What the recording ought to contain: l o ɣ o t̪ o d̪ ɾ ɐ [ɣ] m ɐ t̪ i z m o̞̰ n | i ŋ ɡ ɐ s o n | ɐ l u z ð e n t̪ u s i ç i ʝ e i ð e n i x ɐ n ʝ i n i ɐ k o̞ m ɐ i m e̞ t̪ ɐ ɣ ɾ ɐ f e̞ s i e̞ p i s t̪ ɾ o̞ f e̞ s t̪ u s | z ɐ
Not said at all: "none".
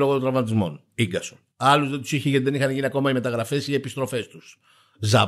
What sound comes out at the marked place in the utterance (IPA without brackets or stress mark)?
v